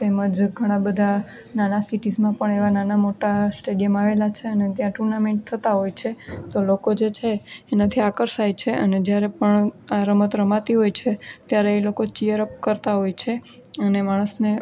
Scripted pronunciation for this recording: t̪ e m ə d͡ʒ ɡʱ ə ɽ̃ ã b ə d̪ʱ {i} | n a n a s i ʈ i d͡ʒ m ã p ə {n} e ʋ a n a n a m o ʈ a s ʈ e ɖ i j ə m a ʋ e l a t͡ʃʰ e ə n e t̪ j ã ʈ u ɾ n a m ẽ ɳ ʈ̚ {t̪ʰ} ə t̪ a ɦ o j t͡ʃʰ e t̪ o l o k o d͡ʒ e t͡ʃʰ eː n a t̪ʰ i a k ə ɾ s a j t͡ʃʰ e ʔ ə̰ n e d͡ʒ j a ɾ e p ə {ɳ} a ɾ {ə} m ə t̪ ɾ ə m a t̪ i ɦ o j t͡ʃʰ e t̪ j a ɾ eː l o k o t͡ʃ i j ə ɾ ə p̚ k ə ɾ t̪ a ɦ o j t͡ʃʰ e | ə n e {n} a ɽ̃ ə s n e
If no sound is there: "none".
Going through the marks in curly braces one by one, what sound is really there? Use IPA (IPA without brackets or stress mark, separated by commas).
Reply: a, ɳ, t̪ʰ, ɳ, ə, m